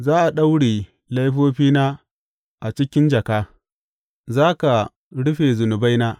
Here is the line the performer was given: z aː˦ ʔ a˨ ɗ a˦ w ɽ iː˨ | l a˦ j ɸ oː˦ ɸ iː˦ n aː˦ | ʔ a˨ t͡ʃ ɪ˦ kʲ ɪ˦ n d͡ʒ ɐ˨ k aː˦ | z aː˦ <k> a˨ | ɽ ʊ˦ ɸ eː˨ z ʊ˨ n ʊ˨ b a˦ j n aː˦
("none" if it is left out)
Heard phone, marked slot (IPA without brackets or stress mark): k